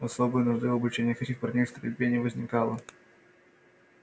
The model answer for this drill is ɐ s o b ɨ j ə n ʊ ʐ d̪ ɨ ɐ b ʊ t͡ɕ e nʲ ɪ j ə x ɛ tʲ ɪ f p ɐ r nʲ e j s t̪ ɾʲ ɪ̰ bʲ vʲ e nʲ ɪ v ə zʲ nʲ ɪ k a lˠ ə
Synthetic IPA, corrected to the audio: ɐ s o b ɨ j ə n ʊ ʐ d̪ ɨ ɐ b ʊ t͡ɕ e nʲ ɪ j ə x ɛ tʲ ɪ x p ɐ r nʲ e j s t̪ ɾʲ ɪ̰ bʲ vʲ e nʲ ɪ v ə zʲ nʲ ɪ k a lˠ ə